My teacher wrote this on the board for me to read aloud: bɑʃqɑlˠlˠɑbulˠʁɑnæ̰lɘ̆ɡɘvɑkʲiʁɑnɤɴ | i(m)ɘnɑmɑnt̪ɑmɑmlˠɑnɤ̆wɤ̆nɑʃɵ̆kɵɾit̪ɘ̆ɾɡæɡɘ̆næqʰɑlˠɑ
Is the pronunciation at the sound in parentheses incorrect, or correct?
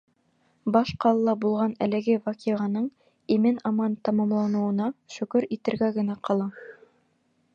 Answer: correct